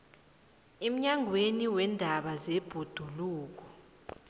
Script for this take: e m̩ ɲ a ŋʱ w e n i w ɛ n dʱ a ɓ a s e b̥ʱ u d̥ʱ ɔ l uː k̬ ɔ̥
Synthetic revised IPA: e m̩ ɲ a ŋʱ w e n i w ɛ n dʱ a ɓ a z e b̥ʱ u d̥ʱ u l uː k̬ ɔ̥